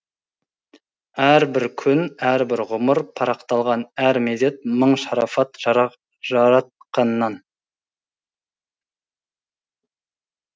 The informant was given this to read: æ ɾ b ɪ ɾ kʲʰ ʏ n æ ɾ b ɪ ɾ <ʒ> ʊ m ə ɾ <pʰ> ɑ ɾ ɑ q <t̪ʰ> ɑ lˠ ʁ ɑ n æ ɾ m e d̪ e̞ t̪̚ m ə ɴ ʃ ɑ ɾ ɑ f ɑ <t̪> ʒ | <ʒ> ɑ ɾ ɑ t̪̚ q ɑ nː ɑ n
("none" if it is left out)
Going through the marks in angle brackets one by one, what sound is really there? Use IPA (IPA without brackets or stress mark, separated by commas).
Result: ʁ, pʰ, t̪, t̪, ʒ